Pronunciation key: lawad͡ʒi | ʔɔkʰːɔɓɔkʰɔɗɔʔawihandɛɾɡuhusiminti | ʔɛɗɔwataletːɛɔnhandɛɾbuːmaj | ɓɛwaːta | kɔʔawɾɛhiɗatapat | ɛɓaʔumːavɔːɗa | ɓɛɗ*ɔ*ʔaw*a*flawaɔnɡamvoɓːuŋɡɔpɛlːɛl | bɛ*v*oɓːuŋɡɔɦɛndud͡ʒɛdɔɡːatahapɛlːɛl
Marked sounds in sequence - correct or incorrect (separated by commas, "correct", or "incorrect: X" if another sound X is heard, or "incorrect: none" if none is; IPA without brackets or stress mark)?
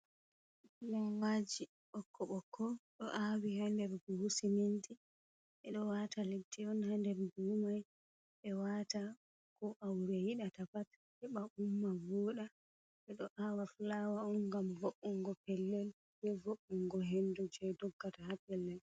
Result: correct, correct, correct